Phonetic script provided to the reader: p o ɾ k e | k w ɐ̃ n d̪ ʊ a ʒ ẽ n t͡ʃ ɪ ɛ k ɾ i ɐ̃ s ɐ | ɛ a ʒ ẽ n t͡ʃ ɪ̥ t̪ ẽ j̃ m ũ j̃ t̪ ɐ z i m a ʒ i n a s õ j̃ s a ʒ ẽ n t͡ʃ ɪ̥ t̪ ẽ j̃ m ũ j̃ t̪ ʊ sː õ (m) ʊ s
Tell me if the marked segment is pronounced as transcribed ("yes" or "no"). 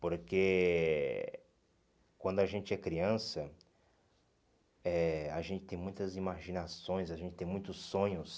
no